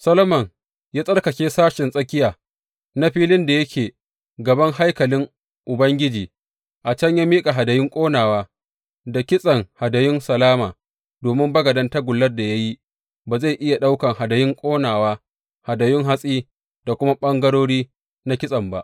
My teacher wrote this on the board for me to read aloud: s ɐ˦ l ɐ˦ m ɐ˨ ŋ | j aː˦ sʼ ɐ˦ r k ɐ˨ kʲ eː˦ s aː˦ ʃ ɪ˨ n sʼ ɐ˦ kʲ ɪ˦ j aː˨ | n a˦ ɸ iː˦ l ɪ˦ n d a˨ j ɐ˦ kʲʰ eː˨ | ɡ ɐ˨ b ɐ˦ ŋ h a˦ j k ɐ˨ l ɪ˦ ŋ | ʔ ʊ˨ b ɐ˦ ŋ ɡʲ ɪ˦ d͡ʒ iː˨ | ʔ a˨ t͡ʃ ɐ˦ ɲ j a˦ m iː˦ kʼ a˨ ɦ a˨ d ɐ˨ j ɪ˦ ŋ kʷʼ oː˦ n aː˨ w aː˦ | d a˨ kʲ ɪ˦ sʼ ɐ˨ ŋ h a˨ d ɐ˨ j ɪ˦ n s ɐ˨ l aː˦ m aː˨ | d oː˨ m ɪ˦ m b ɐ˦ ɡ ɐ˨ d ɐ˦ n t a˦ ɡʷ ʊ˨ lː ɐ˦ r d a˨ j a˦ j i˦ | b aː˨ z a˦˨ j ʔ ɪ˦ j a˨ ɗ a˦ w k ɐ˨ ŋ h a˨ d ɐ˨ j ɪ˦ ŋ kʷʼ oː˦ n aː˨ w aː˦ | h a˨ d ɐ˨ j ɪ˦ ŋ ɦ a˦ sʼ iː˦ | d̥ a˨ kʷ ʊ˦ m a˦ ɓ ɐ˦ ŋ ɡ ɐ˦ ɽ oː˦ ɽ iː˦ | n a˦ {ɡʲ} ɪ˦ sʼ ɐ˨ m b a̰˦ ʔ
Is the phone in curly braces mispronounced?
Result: yes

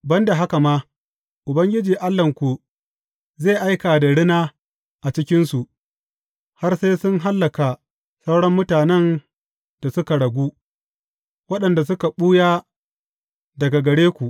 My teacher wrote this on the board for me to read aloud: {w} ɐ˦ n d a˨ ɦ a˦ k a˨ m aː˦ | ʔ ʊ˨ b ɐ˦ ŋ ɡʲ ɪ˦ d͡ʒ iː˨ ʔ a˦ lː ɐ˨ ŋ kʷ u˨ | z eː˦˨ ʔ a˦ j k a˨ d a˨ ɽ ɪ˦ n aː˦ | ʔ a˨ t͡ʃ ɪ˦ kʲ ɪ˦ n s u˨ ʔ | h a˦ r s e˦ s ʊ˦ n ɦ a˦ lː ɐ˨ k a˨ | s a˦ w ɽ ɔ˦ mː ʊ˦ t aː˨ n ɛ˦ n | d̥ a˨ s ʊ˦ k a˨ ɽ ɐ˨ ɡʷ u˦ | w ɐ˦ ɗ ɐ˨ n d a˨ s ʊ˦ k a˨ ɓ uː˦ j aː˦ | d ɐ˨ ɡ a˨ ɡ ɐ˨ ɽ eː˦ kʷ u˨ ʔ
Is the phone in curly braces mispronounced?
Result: yes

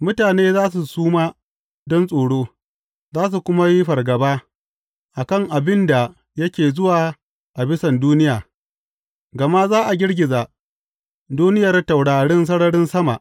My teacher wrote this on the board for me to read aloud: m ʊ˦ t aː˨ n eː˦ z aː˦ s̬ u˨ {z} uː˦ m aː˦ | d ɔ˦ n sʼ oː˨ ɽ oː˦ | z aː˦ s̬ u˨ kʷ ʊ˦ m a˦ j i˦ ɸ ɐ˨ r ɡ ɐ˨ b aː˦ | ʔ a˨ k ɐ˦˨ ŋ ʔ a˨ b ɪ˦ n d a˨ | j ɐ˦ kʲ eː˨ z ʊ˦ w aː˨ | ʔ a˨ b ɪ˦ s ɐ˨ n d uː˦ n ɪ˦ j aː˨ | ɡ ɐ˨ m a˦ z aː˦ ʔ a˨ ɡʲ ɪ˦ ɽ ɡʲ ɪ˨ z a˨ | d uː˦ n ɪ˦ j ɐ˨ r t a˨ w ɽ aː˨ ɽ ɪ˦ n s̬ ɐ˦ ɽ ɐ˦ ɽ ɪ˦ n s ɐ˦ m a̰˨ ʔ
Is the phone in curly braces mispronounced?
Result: yes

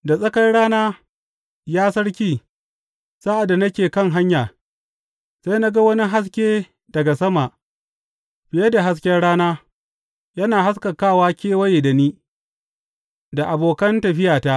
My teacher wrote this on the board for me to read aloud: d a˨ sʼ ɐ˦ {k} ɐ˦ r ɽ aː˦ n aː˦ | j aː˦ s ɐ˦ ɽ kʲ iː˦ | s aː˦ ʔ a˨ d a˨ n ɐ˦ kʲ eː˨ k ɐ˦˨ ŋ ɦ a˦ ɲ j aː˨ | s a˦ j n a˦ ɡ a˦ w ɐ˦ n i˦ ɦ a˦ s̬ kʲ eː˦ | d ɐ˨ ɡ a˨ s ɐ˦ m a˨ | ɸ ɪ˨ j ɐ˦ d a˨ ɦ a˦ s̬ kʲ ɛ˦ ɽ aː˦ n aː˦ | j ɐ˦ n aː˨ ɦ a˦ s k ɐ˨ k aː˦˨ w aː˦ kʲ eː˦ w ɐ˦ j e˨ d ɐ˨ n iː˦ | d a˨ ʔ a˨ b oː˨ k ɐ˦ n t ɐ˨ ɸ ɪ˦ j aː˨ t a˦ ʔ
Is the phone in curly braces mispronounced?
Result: no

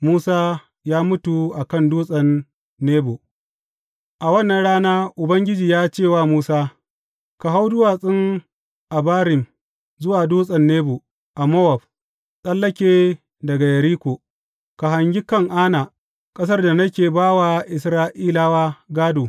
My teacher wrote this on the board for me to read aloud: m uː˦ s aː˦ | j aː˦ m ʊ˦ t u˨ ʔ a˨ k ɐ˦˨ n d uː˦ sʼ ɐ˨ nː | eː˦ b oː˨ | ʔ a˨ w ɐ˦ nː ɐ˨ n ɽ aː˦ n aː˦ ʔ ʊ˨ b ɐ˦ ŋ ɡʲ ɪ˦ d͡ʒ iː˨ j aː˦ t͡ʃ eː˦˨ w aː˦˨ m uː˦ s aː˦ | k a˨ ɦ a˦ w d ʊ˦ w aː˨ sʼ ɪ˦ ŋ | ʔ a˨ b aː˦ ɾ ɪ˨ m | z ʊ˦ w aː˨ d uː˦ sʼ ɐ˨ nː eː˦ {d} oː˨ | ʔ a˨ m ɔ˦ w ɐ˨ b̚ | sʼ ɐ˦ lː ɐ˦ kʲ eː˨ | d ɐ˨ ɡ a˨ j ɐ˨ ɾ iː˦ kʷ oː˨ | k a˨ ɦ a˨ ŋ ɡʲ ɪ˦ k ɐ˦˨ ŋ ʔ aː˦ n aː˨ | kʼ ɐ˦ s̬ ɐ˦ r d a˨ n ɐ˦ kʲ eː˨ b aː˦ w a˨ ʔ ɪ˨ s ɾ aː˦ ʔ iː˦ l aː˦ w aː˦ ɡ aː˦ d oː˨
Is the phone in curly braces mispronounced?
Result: yes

